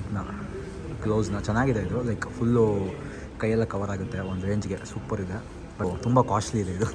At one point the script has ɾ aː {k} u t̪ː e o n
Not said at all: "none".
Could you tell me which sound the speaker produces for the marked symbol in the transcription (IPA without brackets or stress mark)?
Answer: ɡ